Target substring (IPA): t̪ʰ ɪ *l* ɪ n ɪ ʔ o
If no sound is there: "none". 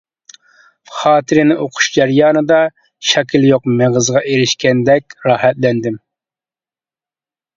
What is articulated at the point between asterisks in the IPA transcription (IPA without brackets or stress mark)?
ɾ